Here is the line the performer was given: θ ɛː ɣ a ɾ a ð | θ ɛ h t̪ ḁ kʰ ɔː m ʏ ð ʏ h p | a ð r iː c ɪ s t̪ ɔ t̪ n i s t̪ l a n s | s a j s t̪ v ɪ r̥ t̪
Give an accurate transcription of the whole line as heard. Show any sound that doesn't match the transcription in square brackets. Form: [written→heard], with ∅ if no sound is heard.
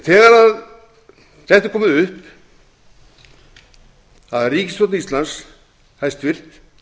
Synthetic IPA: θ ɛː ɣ a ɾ a ð | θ ɛ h t̪ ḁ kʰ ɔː m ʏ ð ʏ h p | a ð r iː c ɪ s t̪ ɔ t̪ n i s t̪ l a n s | [s→h] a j s t̪ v ɪ r̥ t̪

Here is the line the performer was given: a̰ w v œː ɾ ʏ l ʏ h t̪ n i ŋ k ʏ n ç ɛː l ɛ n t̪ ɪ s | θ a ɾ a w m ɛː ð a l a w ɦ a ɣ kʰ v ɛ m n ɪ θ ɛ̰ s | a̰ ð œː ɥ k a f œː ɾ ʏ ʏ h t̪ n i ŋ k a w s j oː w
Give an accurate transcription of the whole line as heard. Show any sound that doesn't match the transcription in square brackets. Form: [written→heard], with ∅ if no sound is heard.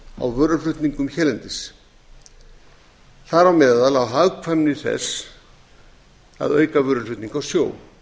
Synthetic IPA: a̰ w v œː ɾ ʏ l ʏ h t̪ n i ŋ k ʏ [n→m] ç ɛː l ɛ n t̪ ɪ s | θ a ɾ a w m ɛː ð a l a w ɦ a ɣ kʰ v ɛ m n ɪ θ ɛ̰ s | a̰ ð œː ɥ k a [f→v] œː ɾ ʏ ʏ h t̪ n i ŋ k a w s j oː w

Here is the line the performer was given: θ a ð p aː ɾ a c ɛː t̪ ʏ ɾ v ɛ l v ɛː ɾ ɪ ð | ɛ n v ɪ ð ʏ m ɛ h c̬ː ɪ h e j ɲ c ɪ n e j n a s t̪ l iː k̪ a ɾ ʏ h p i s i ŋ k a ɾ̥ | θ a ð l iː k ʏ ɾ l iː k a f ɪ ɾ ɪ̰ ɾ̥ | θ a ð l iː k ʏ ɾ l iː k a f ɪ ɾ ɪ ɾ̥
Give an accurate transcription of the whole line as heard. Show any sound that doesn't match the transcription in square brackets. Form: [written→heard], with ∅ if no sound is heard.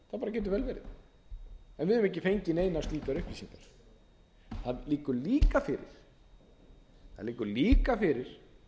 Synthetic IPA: θ a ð p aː ɾ a c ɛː t̪ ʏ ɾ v ɛ l v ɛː ɾ ɪ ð | ɛ n v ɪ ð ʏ m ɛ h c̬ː ɪ [h→f] e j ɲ c ɪ n e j n a s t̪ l iː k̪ a ɾ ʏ h p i s i ŋ k a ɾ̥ | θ a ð l iː k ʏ ɾ l iː k a f ɪ ɾ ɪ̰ ɾ̥ | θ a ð l iː k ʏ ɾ l iː k a f ɪ ɾ ɪ ɾ̥

